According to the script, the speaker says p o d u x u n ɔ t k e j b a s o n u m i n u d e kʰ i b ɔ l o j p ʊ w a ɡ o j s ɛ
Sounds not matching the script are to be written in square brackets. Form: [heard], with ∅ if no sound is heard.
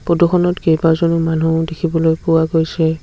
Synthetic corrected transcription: p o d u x [ɔ] n ɔ t k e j b a [z] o n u m [a] n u d e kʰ i b ɔ l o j p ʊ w a ɡ o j s ɛ